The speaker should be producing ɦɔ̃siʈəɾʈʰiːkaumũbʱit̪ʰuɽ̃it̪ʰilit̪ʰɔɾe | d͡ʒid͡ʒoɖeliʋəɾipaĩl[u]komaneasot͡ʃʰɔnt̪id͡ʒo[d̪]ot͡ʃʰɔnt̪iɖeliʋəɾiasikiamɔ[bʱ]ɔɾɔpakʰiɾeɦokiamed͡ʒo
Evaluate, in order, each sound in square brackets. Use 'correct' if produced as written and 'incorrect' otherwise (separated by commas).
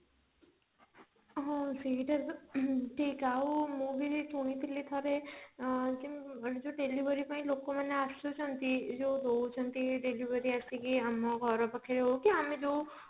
incorrect, correct, incorrect